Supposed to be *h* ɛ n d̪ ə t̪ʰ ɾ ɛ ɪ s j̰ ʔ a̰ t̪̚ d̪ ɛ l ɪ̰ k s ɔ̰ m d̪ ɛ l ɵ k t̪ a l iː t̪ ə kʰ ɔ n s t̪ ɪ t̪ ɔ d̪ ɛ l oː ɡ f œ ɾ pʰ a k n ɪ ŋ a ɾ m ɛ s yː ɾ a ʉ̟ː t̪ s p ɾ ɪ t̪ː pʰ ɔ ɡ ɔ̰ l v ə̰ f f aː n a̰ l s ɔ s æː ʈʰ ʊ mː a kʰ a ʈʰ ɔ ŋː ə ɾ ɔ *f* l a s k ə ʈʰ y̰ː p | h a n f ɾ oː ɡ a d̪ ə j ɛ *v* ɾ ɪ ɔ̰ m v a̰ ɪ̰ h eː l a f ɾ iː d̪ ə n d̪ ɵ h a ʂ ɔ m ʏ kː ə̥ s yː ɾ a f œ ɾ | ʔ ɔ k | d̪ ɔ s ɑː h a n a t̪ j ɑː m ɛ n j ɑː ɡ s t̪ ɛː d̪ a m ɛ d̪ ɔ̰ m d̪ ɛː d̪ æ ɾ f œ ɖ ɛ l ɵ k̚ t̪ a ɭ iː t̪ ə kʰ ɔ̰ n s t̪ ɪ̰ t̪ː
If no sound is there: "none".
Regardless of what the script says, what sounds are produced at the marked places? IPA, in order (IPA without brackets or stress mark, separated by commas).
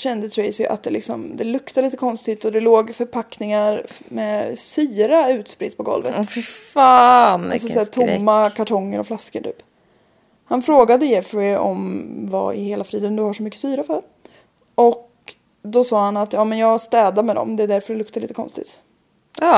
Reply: ɕ, f, f